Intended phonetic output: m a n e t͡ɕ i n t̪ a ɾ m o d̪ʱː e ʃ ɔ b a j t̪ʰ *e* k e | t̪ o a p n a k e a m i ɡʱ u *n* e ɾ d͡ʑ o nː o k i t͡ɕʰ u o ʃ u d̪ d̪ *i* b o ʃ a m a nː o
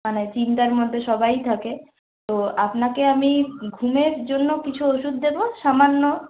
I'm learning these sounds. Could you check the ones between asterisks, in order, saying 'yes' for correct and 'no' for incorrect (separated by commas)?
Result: no, no, no